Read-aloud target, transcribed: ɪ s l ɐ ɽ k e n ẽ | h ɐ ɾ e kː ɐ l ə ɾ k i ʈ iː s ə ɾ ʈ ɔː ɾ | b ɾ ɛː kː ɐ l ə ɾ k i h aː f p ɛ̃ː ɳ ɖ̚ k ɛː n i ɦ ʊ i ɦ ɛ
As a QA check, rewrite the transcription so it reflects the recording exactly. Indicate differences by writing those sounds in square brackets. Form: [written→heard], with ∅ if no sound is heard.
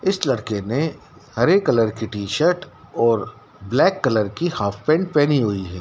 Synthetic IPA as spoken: ɪ s l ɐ ɽ k e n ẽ | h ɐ ɾ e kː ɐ l ə ɾ k i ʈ iː [s→ʃ] ə ɾ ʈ ɔː ɾ | b [ɾ→l] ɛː kː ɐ l ə ɾ k i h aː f p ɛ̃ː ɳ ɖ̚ [k→p] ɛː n i ɦ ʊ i ɦ [ɛ→ɛː]